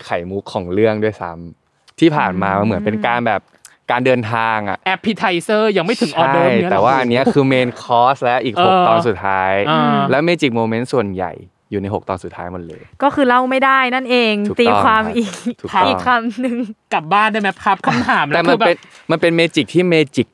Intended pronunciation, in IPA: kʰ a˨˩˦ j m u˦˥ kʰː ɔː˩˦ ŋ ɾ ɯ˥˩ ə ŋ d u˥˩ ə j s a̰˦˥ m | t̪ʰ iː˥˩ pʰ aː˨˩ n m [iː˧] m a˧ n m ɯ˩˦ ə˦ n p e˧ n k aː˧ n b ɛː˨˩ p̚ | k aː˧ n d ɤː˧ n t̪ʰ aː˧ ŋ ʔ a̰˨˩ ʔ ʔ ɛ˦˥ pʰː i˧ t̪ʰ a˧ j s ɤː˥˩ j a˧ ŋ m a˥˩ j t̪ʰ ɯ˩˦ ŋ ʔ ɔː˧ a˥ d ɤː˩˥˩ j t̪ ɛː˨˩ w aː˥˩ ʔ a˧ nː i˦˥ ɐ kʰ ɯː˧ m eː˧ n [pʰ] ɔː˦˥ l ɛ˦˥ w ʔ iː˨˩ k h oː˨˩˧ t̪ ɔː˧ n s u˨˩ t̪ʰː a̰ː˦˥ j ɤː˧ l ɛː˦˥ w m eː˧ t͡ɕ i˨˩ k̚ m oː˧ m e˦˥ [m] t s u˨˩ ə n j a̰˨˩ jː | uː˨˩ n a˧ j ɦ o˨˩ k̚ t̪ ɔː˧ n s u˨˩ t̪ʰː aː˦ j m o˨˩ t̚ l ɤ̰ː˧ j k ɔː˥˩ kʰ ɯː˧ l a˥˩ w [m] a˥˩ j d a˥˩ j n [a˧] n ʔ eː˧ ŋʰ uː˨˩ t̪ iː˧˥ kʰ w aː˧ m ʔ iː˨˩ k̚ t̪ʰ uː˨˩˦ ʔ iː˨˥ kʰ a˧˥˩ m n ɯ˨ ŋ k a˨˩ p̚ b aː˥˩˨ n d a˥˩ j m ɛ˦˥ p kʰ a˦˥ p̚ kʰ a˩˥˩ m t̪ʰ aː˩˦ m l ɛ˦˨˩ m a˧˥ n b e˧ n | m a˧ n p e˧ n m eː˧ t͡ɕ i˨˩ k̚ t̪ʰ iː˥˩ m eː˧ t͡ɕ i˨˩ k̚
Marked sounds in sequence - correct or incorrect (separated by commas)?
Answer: incorrect, incorrect, incorrect, correct, incorrect